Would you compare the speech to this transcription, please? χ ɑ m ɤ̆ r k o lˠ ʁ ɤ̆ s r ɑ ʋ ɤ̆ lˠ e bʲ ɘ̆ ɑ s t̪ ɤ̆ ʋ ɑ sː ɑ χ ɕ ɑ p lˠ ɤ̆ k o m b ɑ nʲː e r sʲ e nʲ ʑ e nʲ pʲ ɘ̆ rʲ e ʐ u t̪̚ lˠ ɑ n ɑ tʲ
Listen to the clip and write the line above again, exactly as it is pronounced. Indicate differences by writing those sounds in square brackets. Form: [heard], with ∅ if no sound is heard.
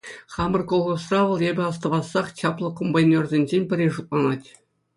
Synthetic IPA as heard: χ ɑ m ɤ̆ r k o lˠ ʁ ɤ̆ s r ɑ ʋ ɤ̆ lˠ e bʲ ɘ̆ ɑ s t̪ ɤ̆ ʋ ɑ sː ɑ χ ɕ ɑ p lˠ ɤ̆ k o m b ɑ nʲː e r [zʲ] e nʲ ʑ e nʲ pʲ ɘ̆ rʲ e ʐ u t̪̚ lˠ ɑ n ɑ tʲ